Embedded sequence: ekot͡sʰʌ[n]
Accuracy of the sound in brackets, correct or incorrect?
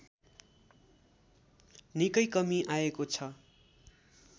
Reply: incorrect